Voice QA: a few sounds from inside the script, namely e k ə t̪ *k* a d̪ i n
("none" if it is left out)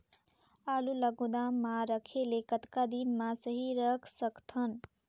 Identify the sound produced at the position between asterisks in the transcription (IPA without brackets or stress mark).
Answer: k